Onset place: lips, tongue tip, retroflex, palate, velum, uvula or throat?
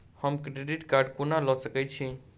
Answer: throat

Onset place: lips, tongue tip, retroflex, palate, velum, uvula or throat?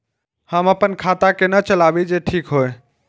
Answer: throat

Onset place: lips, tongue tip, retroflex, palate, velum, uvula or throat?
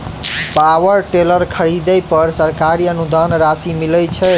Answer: lips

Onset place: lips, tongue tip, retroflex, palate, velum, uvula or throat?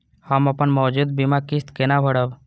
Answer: throat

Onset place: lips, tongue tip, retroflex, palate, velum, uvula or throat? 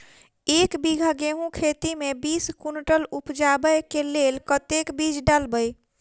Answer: velum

